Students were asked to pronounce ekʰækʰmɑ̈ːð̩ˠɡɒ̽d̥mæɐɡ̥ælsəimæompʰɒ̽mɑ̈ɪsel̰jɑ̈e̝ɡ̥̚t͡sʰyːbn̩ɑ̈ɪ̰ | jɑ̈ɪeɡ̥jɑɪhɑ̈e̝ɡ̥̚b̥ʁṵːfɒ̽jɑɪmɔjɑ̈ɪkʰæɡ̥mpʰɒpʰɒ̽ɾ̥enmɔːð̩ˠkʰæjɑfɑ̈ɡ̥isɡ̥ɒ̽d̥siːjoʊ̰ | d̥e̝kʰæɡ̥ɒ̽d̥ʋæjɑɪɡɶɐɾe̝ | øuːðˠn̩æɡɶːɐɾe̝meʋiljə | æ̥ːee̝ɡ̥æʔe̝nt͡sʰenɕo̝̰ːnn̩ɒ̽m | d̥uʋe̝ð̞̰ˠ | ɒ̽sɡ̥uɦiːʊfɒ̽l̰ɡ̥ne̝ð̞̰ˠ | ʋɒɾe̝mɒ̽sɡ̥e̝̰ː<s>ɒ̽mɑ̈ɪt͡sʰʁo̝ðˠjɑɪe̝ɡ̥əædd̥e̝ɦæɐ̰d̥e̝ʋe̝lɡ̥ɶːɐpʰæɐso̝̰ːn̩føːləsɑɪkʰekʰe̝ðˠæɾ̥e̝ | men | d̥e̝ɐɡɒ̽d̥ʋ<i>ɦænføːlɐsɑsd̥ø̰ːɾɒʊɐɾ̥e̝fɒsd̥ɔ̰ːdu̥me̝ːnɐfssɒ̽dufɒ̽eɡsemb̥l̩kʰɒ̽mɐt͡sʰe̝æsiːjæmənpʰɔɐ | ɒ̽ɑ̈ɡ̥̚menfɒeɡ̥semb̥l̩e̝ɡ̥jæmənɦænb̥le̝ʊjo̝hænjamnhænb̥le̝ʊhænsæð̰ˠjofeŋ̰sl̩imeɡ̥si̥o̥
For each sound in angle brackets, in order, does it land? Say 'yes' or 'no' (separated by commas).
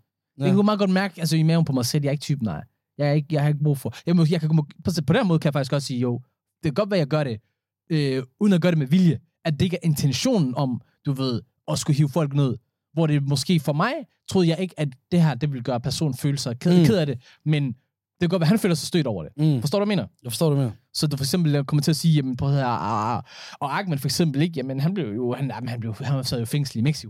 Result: no, no